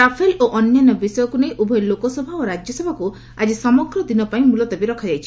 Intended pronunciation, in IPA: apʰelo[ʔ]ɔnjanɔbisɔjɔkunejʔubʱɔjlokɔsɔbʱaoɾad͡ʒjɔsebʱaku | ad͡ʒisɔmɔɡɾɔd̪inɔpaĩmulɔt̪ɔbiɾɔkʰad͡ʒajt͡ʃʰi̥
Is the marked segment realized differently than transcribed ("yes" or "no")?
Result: no